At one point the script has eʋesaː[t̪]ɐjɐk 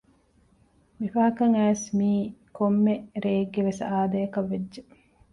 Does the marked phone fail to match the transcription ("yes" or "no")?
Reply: yes